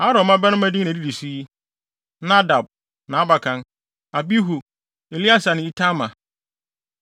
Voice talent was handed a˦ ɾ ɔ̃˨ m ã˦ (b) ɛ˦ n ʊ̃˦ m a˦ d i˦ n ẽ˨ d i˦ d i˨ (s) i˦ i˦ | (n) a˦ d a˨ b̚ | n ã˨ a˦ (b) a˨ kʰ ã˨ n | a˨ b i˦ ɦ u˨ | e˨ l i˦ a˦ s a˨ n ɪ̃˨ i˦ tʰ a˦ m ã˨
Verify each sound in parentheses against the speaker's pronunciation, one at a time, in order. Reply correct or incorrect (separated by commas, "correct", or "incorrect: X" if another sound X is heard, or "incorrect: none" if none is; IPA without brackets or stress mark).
correct, correct, correct, correct